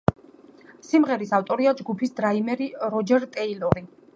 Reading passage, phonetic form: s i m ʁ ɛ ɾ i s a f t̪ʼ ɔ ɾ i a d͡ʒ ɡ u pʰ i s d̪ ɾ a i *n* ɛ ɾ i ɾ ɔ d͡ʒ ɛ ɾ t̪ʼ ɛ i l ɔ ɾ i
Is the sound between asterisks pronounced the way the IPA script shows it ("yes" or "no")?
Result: no